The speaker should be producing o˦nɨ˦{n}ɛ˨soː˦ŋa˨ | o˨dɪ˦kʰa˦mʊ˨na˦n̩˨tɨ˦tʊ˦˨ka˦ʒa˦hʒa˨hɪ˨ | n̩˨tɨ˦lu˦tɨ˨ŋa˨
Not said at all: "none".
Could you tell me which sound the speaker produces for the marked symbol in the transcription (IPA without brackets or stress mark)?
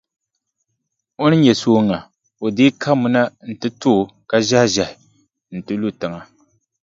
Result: ɲ